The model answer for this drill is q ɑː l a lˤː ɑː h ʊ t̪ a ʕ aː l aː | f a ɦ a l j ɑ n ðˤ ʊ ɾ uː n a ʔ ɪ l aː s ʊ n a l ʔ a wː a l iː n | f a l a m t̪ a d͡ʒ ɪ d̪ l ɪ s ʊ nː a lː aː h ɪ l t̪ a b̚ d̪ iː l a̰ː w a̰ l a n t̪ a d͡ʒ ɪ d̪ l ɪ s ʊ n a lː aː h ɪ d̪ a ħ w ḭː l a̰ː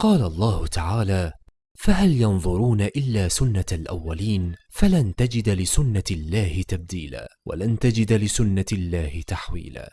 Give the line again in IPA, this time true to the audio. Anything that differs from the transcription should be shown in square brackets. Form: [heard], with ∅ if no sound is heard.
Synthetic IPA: q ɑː l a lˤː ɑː h ʊ t̪ a ʕ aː l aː | f a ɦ a l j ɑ n ðˤ ʊ ɾ uː n a ʔ ɪ [lː] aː s ʊ [nː] a l ʔ a wː a l iː n | f a l a [n] t̪ a d͡ʒ ɪ d̪ l ɪ s ʊ nː a lː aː h ɪ [∅] t̪ a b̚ d̪ iː l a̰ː w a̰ l a n t̪ a d͡ʒ ɪ d̪ l ɪ s ʊ [nː] a lː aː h ɪ [t̪] a ħ w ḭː l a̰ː